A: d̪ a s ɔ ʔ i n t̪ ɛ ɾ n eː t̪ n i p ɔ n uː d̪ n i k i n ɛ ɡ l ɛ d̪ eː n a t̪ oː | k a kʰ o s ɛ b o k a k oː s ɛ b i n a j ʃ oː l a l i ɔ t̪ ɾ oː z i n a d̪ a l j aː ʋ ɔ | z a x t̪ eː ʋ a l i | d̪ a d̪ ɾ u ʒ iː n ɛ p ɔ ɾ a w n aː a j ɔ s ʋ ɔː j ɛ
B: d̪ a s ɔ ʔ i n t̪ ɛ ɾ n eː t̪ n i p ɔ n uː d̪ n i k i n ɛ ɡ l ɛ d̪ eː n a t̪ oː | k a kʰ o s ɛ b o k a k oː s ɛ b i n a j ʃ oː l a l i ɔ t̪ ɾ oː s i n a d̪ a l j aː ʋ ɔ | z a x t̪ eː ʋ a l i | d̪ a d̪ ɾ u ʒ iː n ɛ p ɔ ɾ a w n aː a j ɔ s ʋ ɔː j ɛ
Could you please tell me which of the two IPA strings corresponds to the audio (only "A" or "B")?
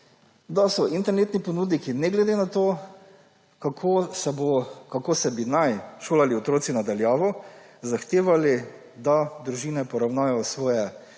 B